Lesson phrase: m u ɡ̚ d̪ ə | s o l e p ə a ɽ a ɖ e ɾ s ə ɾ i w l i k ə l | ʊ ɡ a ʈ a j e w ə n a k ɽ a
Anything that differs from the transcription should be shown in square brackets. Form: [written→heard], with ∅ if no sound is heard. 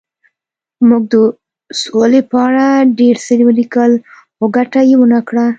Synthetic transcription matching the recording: m u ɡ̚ d̪ ə | s o l e p ə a ɽ a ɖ e ɾ s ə ɾ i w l i k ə l | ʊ ɡ a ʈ a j e w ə n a k ɽ a